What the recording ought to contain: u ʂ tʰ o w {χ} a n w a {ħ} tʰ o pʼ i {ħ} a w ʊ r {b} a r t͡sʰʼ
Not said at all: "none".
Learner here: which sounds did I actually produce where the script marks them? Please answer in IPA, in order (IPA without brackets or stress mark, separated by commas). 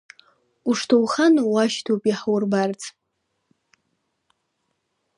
χ, ʃ, ħ, b